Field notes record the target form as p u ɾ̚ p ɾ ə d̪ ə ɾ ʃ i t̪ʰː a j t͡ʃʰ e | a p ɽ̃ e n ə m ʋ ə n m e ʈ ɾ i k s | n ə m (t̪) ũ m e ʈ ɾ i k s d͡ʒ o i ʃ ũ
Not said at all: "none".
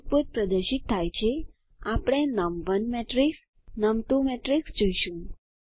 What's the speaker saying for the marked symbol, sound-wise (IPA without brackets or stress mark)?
t̪